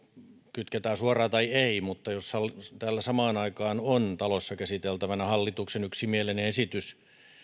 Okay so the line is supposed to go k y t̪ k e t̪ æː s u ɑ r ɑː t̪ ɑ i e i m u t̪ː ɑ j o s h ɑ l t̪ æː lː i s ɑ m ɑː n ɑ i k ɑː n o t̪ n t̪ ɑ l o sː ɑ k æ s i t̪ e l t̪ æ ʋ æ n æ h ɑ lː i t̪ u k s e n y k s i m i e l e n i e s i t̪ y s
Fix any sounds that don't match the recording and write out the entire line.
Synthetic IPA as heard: k y t̪ k e t̪ æː s u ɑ r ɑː t̪ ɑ i e i m u t̪ː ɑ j o s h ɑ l t̪ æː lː æ s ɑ m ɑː n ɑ i k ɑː n o n t̪ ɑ l o sː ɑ k æ s i t̪ e l t̪ æ ʋ æ n æ h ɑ lː i t̪ u k s e n y k s i m i e l e n e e s i t̪ y s